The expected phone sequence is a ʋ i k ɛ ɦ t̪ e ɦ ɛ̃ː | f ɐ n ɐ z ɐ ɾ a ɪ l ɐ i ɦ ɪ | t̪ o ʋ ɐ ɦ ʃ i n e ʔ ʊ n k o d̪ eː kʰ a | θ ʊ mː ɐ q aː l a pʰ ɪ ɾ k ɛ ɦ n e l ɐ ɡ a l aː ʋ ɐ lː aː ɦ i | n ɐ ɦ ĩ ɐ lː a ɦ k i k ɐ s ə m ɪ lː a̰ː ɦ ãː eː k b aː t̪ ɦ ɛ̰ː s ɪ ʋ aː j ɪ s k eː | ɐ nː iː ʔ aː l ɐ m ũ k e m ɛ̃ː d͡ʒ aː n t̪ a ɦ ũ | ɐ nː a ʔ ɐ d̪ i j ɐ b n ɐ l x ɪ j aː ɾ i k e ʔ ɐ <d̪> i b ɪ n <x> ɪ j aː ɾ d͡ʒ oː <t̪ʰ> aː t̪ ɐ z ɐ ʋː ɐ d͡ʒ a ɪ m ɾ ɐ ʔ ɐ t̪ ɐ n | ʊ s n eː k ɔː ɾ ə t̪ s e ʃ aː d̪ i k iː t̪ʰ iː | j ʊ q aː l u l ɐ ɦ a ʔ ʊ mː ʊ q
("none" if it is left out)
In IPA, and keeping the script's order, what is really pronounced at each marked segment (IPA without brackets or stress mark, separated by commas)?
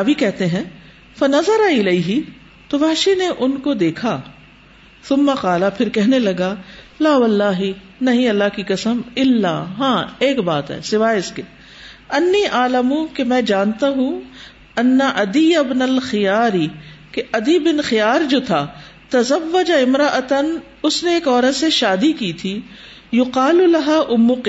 d̪, x, t̪ʰ